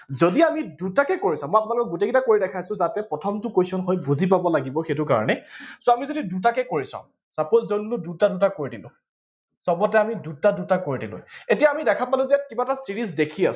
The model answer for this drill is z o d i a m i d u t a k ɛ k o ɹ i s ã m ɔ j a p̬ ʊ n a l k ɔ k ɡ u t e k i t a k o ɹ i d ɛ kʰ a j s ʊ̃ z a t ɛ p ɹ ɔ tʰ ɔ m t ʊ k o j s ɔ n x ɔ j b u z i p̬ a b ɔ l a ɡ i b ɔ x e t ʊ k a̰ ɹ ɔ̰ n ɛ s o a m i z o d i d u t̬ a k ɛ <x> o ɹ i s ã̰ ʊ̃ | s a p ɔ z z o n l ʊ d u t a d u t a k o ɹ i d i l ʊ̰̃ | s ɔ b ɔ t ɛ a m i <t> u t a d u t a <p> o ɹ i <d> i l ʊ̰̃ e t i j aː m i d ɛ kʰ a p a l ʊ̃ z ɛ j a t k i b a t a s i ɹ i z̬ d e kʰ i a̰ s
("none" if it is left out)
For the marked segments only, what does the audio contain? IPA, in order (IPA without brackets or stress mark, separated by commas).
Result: k, d, k, d